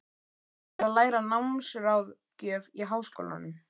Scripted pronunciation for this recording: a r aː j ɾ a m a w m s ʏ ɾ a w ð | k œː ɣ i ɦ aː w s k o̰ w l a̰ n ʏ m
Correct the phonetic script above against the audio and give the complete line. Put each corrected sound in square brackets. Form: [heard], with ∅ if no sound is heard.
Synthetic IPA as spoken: a [l] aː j ɾ a [n] a w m s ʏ ɾ a w ð | [c] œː [v] i ɦ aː w s k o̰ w l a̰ n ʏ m